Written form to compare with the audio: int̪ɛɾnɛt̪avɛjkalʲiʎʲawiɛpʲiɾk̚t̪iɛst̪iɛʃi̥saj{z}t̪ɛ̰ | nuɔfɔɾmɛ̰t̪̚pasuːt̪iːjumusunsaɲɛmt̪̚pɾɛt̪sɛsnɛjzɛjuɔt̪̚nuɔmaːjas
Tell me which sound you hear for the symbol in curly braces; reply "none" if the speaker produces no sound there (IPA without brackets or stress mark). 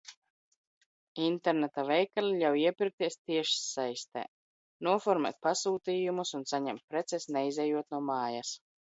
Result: s